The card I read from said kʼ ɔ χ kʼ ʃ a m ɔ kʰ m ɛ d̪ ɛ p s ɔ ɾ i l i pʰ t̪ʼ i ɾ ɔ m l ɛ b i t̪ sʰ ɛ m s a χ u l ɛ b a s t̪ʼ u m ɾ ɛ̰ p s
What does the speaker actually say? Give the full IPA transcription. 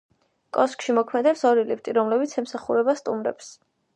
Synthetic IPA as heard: kʼ ɔ s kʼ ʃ i m ɔ kʰ m ɛ d̪ ɛ p s ɔ ɾ i l i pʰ t̪ʼ i ɾ ɔ m l ɛ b i t̪ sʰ ɛ m s a χ u ɾ ɛ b a s t̪ʼ u m ɾ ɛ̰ p s